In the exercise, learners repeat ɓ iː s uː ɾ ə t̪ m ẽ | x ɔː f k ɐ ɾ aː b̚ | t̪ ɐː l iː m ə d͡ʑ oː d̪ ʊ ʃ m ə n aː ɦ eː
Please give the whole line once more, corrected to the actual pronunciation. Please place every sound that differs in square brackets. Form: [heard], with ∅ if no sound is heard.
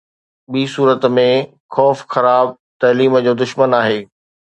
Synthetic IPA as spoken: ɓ iː s uː ɾ ə t̪ m ẽ | x ɔː f [x] ɐ ɾ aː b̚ | t̪ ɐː l iː m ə d͡ʑ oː d̪ ʊ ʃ m ə n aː ɦ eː